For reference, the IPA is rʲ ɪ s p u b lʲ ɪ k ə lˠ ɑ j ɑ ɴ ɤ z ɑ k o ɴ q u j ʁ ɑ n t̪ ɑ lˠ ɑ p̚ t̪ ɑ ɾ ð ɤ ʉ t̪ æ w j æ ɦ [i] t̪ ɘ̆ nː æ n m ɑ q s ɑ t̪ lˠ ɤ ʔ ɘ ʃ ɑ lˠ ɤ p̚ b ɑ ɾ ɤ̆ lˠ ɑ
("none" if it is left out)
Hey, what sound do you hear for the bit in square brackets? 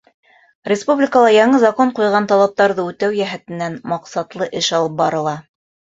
æ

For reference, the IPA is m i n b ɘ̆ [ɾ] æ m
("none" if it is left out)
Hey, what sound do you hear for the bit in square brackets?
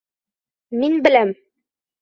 l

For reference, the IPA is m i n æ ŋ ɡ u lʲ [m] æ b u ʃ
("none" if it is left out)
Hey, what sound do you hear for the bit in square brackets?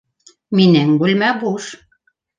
m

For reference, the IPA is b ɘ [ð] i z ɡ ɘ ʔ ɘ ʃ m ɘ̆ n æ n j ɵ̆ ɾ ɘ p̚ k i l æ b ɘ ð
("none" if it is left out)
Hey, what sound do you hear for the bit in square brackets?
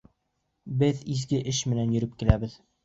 ð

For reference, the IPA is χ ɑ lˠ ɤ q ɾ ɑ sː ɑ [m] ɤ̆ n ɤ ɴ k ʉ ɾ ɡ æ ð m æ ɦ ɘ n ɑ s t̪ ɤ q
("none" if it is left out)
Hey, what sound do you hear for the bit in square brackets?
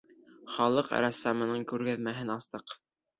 m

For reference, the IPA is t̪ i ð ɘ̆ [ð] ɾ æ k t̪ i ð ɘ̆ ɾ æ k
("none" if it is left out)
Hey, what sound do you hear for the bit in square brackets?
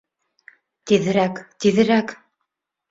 none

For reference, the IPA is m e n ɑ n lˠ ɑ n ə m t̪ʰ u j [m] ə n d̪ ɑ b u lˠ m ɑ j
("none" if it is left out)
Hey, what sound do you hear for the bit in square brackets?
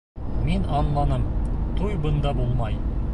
b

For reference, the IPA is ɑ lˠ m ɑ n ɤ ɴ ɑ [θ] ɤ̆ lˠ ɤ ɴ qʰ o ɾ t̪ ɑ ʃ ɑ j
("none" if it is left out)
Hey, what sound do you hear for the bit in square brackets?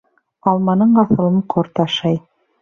θ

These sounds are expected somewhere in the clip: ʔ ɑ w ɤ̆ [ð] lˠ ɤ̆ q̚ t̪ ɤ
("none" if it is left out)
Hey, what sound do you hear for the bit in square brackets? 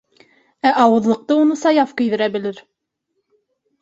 ð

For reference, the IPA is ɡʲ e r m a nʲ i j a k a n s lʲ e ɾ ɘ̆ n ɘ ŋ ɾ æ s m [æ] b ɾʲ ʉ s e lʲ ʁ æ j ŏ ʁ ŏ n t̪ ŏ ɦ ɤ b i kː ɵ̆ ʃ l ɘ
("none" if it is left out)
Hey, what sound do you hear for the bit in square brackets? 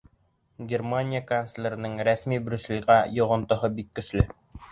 i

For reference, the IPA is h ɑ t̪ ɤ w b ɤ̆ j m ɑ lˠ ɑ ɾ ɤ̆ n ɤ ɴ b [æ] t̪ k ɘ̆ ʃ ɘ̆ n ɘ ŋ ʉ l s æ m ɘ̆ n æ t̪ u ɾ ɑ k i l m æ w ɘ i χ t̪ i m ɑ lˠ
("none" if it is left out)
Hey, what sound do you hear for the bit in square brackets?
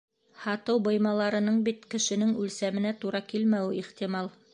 i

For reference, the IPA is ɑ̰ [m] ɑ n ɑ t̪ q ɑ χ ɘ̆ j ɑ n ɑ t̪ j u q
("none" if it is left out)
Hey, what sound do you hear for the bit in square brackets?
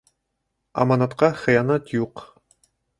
m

